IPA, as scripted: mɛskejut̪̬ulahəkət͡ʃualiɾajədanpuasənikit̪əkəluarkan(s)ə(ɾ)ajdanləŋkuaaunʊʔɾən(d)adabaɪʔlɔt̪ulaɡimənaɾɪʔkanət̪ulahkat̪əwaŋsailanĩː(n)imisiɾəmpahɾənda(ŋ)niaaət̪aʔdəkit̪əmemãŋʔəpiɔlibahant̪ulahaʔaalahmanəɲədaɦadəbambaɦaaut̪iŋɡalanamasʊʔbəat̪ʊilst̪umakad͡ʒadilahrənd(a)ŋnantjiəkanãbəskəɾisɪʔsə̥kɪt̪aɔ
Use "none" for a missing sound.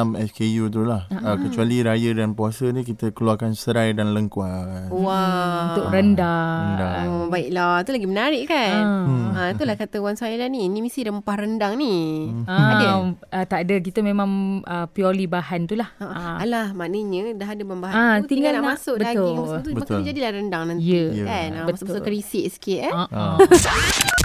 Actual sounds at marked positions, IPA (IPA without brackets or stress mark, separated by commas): s, ɾ, d, n, ŋ, a